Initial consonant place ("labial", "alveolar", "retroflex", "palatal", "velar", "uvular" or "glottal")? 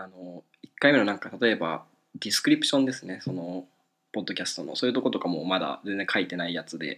alveolar